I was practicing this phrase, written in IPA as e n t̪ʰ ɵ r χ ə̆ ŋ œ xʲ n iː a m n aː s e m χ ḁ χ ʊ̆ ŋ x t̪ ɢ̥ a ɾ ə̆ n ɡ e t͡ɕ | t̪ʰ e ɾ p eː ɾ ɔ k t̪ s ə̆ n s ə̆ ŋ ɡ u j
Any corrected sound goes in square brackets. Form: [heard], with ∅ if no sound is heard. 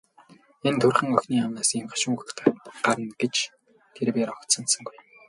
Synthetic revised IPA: e n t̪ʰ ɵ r χ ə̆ ŋ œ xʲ n iː a m n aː s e m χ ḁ [ʃ] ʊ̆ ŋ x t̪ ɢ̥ a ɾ ə̆ n ɡ e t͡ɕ | t̪ʰ e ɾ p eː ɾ ɔ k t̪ s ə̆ n s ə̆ ŋ ɡ u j